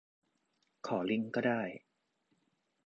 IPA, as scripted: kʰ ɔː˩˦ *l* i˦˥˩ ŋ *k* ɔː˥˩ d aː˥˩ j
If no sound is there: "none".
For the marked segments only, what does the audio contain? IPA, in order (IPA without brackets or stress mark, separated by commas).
l, k